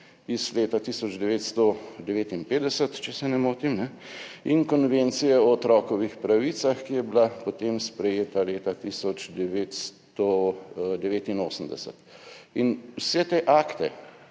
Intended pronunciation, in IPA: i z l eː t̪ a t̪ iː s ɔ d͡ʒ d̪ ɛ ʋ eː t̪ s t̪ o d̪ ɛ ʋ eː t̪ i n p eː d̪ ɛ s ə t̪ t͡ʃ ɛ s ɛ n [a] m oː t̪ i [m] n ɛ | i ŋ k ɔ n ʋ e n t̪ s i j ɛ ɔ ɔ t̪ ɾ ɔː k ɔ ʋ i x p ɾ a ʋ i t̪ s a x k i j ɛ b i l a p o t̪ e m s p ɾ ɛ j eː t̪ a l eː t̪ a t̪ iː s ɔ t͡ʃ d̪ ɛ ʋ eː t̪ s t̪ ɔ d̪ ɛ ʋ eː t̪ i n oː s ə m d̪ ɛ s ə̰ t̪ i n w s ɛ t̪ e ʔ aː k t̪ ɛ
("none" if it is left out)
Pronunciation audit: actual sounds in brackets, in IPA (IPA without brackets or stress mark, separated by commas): ɛ, m